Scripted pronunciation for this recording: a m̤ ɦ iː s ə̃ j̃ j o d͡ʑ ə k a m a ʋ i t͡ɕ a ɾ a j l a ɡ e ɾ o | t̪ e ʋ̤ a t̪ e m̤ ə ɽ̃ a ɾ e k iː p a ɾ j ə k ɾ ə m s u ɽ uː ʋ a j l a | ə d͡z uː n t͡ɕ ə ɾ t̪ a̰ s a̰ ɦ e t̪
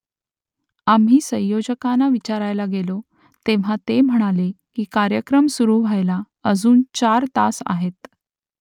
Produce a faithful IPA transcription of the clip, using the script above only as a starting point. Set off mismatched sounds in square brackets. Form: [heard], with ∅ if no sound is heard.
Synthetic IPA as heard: a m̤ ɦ iː s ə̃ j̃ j o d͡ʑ ə k a [n] a ʋ i t͡ɕ a ɾ a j l a ɡ e [l] o | t̪ e ʋ̤ a t̪ e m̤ ə ɽ̃ a [l] e k iː [k] a ɾ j ə k ɾ ə m s u [ɾ] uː ʋ a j l a | ə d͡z uː n t͡ɕ [a] ɾ t̪ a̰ s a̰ ɦ e t̪